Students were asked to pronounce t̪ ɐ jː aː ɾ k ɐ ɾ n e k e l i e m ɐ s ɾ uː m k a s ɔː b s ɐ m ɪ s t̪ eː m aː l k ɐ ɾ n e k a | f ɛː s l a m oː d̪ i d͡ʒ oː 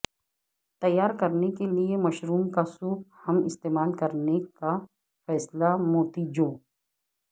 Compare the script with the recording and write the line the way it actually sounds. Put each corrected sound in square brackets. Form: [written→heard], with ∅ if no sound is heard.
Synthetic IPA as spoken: t̪ ɐ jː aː ɾ k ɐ ɾ n e k e l i e m ɐ [s→ʃ] ɾ uː m k a s [ɔː→uː] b [s→h] ɐ m ɪ s t̪ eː m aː l k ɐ ɾ n e k a | f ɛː s l a m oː [d̪→t̪] i d͡ʒ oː